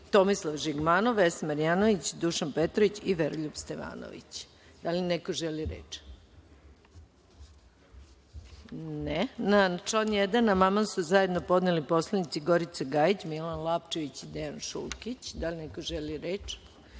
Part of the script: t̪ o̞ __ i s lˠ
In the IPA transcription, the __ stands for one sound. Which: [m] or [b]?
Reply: m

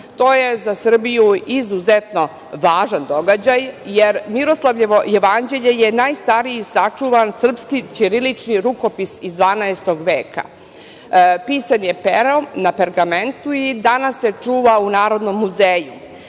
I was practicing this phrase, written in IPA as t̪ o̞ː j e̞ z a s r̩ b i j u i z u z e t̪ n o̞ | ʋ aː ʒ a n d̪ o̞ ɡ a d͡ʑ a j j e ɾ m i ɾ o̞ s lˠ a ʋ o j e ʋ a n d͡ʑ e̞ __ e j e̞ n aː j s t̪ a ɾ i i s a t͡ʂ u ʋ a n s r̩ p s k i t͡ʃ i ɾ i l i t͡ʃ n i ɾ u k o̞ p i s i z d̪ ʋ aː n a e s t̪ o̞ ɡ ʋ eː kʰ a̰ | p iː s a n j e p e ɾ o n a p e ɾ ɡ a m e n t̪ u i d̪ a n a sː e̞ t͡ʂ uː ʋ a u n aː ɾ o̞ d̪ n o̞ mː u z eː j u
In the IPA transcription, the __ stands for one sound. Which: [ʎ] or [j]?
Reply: ʎ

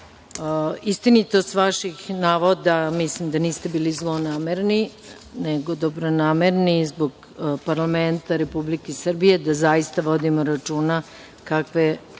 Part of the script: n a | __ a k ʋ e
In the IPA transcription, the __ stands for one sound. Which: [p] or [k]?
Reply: k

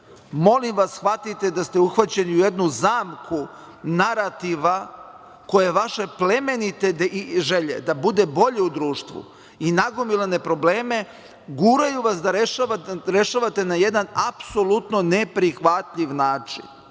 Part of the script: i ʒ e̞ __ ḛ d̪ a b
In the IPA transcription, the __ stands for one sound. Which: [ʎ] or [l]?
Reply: ʎ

